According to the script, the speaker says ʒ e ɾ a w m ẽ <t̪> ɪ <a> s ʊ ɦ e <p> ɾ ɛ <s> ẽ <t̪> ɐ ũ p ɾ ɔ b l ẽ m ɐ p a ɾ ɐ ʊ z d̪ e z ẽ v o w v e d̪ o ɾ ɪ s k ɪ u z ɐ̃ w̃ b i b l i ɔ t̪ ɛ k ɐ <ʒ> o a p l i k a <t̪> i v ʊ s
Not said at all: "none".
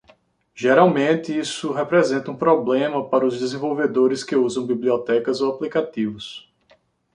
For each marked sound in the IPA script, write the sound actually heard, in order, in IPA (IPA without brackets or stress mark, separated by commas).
t̪, i, p, z, t̪, z, t̪